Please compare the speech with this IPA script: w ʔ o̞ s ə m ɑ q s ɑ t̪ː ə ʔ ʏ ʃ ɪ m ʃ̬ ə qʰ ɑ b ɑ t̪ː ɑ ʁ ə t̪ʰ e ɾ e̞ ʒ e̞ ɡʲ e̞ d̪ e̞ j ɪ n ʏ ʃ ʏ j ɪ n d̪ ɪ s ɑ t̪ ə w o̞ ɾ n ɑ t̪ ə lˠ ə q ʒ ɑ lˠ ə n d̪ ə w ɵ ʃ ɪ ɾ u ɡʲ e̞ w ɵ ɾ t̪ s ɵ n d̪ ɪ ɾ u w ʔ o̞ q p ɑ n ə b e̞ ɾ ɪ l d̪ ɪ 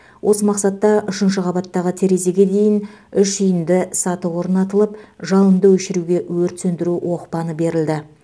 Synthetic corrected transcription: w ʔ o̞ s ə m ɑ q s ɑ t̪ː ɑ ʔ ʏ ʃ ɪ n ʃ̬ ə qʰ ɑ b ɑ t̪ː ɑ ʁ ə t̪ʰ e ɾ e̞ z e̞ ɡʲ e̞ d̪ e̞ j ɪ n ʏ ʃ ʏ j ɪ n d̪ ɪ s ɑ t̪ ə w o̞ ɾ n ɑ t̪ ə lˠ ə p ʒ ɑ lˠ ə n d̪ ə w ɵ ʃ ɪ ɾ u ɡʲ e̞ w ɵ ɾ t̪ s ɵ n d̪ ɪ ɾ u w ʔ o̞ q p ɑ n ə b e̞ ɾ ɪ l d̪ ɪ